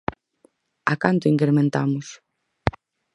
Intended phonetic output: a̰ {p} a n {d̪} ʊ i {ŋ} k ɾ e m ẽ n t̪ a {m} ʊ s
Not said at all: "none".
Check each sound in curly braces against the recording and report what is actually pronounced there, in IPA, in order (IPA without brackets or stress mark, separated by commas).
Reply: k, t̪, ŋ, m